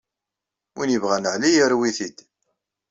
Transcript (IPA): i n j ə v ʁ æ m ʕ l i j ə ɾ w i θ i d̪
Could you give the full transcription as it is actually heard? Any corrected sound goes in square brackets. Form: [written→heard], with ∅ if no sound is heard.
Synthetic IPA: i n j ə v ʁ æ [m→n] ʕ l i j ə ɾ w i θ i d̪